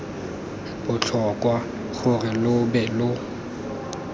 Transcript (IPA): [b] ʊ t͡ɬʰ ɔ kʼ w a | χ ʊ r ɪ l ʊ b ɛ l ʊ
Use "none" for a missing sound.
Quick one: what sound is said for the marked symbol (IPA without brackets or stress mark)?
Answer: b